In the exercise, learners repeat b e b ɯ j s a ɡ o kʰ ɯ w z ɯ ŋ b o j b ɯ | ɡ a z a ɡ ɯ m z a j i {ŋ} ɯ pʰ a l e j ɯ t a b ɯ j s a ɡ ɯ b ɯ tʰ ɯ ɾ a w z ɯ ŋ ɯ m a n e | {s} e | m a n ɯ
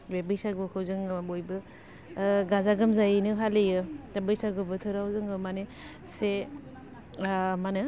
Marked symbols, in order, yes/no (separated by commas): no, yes